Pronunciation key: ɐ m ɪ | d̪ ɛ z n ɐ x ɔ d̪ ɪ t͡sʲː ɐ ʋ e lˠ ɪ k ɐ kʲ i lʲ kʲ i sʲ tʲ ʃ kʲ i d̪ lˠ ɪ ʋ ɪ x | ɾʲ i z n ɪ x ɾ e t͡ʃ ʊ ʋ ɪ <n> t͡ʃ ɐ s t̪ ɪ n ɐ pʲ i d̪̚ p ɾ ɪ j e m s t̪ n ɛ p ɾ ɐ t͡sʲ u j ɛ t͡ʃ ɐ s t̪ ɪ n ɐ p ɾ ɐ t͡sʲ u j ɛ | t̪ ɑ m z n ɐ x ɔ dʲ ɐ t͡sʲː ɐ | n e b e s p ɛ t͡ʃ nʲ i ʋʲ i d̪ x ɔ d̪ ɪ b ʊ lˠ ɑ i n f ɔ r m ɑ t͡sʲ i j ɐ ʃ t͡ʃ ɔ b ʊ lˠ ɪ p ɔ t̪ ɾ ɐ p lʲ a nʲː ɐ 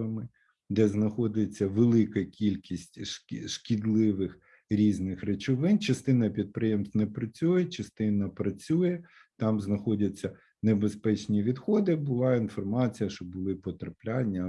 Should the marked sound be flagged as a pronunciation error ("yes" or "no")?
no